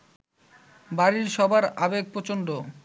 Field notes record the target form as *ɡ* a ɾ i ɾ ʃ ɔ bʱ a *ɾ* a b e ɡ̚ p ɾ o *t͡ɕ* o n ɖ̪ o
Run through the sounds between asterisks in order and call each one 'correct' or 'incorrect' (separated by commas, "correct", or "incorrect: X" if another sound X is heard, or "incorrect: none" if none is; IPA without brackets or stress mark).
incorrect: b, correct, correct